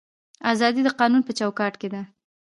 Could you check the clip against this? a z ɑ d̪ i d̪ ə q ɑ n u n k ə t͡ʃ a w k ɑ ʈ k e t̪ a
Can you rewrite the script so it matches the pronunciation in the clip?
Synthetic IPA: a z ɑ d̪ i d̪ ə q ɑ n u n p ə t͡ʃ a w k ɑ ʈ k e d̪ a